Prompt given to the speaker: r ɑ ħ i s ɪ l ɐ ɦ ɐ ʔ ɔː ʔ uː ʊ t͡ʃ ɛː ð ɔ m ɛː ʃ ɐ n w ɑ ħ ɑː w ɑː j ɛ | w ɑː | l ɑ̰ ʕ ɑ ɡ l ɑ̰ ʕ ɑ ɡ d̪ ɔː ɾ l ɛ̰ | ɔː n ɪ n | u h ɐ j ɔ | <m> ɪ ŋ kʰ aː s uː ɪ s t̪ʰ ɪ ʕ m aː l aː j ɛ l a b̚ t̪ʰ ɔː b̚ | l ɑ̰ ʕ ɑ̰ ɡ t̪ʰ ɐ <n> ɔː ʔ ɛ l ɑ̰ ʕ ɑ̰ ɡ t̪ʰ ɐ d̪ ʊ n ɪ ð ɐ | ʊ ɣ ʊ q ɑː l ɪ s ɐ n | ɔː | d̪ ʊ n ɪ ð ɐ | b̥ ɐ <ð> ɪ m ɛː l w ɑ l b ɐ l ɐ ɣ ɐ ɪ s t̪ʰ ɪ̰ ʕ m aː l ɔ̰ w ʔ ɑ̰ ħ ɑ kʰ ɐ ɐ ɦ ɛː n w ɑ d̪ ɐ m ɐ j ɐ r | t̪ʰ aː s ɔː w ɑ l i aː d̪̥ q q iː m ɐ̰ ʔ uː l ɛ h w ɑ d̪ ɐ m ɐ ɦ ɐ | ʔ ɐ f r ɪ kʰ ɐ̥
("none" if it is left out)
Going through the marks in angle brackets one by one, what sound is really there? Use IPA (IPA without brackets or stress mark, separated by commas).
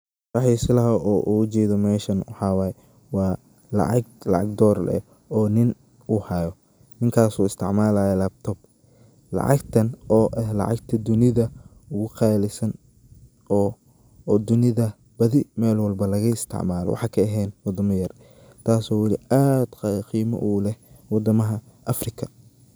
n, n, ð